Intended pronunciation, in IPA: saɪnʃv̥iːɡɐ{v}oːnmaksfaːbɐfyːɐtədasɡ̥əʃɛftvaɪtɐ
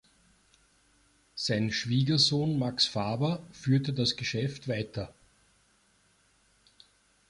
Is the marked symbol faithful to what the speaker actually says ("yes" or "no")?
no